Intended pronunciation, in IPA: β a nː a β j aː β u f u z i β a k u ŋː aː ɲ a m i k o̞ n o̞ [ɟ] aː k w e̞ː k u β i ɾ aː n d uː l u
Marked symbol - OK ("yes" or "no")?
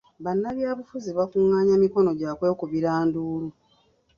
yes